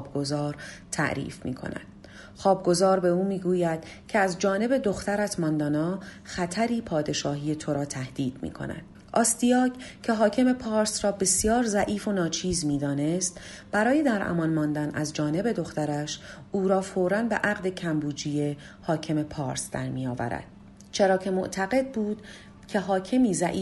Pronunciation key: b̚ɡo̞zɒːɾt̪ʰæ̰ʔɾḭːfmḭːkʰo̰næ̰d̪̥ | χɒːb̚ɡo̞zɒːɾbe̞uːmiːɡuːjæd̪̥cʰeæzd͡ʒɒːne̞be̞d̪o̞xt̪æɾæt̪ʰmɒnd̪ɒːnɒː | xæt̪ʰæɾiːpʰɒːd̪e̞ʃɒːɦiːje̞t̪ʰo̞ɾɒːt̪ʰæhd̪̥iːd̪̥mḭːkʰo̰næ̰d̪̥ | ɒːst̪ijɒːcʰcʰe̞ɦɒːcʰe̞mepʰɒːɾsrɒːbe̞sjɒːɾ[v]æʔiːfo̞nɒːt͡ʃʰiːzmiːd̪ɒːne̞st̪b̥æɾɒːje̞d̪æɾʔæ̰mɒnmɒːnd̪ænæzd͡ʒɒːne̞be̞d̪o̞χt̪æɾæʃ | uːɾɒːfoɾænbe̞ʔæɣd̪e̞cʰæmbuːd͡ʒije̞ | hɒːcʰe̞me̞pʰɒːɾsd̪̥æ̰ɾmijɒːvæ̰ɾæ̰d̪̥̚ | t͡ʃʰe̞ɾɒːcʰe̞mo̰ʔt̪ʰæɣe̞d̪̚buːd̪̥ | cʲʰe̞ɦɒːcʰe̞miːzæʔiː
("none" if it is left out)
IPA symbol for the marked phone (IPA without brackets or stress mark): z